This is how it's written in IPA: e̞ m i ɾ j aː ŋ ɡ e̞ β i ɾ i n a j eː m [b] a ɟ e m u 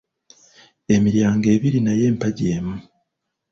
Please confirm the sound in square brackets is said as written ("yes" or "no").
no